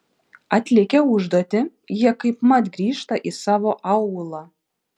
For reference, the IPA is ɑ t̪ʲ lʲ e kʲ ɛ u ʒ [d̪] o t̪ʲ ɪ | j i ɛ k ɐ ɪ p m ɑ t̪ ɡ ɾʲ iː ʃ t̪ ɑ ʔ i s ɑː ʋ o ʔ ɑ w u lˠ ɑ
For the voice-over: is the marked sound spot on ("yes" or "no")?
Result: yes